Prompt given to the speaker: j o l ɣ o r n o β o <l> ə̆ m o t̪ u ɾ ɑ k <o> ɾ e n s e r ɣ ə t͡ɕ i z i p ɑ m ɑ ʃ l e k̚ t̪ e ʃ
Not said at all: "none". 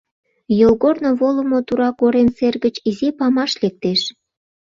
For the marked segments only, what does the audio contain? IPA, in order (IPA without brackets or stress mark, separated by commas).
l, o